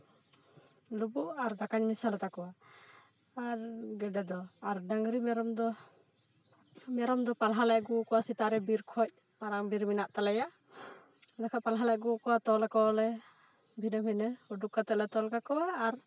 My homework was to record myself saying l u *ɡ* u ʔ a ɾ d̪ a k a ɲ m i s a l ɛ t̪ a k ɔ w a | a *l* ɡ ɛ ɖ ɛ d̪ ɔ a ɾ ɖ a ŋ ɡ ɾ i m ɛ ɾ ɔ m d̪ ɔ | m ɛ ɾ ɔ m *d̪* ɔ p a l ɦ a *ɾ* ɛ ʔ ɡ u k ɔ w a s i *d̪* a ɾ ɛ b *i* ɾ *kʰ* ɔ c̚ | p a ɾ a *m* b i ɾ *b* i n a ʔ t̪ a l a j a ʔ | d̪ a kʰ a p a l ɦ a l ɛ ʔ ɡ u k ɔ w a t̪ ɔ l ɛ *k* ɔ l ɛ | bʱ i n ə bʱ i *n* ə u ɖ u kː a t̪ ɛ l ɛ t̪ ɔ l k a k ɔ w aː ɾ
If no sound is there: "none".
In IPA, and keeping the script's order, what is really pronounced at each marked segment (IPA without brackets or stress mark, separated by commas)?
b, ɾ, d̪, l, t̪, i, kʰ, ŋ, m, k, n